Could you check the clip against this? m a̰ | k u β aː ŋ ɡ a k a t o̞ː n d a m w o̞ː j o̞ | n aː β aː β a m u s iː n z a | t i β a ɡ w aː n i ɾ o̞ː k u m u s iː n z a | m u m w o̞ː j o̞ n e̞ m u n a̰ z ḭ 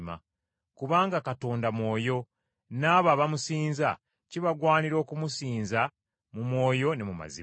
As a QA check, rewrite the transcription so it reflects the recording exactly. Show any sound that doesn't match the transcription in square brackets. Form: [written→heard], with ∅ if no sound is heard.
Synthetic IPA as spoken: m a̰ | k u β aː ŋ ɡ a k a t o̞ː n d a m w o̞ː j o̞ | n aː β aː β a m u s iː n z a | [t→c] i β a ɡ w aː n i ɾ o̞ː k u m u s iː n z a | m u m w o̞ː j o̞ n e̞ m u [n→m] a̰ z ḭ